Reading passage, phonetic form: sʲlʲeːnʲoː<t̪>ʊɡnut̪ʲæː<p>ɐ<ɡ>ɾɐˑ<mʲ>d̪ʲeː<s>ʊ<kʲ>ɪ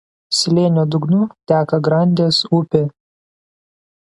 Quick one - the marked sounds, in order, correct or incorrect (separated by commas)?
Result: incorrect, incorrect, correct, incorrect, correct, incorrect